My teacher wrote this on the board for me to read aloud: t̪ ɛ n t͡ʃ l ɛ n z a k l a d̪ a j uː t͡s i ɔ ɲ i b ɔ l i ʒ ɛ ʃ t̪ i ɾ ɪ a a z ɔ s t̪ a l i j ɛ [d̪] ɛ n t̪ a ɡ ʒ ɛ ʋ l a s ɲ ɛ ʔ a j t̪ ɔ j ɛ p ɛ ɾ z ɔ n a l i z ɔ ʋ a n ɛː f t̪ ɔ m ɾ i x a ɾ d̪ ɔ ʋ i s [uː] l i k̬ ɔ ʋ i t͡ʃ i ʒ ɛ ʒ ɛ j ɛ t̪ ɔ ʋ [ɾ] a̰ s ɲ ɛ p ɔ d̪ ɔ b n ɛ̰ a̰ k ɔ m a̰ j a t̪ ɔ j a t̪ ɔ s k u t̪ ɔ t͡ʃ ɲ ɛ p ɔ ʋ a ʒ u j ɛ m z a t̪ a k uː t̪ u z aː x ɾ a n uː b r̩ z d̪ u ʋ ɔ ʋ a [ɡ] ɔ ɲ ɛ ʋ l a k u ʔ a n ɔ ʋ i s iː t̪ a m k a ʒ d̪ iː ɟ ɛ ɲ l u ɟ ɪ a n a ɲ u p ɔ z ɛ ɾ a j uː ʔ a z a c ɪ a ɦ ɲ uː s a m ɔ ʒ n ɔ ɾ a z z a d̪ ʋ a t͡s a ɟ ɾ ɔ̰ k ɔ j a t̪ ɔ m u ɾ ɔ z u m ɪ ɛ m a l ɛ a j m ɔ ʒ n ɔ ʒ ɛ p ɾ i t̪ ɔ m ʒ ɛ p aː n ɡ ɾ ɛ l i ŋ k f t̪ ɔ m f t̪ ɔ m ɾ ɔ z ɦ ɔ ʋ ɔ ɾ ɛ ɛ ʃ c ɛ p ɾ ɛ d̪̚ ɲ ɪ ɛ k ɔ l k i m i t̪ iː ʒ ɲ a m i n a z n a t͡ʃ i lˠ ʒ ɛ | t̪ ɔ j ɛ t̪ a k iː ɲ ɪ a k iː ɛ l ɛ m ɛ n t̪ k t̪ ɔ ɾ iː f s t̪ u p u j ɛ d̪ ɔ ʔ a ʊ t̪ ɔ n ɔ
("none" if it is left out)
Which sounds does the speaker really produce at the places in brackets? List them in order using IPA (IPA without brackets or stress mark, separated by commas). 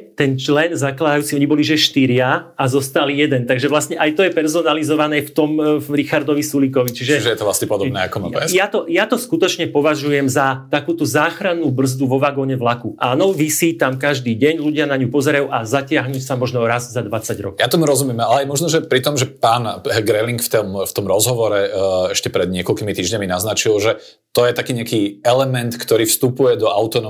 d̪, u, l, ɡ